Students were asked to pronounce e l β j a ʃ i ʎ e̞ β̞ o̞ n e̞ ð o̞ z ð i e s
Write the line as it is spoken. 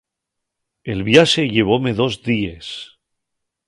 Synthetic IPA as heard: e l β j a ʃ e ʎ e̞ β̞ o̞ m e̞ ð o̞ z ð i e s